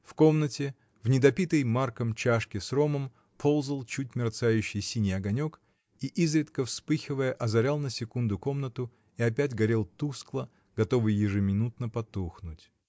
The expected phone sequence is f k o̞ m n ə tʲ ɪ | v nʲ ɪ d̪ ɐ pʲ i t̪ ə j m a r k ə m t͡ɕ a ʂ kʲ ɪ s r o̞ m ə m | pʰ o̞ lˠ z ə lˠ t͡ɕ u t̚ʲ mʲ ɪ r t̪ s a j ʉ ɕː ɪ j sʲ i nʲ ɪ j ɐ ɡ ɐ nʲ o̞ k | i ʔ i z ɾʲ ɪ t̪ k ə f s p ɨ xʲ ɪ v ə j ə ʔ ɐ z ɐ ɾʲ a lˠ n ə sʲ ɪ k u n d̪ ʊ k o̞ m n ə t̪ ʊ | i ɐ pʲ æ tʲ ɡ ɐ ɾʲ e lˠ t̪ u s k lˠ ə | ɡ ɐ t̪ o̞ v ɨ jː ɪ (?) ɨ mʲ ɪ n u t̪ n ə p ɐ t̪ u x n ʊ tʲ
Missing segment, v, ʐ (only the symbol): ʐ